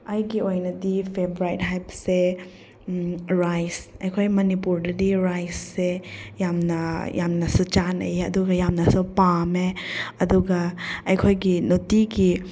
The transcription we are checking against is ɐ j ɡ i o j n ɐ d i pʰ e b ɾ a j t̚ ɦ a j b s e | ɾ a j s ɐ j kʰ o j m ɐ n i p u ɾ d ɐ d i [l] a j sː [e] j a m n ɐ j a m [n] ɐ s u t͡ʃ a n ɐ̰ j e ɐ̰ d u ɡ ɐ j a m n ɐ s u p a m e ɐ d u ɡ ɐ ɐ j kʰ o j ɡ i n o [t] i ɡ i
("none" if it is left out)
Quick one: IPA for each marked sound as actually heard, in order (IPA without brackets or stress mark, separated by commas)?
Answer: ɾ, e, n, t